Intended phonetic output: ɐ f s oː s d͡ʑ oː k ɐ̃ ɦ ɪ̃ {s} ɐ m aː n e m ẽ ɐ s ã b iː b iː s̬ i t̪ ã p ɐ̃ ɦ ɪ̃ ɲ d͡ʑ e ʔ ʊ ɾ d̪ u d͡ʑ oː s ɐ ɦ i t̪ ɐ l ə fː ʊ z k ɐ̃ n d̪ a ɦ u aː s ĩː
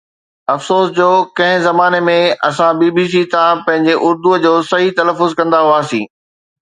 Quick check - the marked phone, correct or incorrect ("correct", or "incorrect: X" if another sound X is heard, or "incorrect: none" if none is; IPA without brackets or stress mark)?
incorrect: z